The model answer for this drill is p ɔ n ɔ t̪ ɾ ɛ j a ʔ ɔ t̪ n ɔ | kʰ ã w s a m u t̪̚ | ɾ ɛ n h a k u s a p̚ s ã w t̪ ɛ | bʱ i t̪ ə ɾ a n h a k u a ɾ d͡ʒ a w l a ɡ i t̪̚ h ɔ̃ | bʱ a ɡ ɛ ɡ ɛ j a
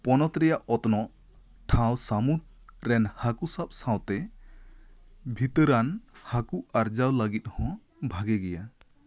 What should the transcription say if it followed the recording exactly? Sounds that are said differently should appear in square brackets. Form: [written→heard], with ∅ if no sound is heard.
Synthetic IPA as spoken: p ɔ n ɔ t̪ ɾ ɛ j a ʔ ɔ t̪ n ɔ | [kʰ→ʈʰ] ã w s a m u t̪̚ | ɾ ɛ n h a k u s a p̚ s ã w t̪ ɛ | bʱ i t̪ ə ɾ a n h a k u a ɾ d͡ʒ a w l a ɡ i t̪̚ h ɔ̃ | bʱ a ɡ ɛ ɡ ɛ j a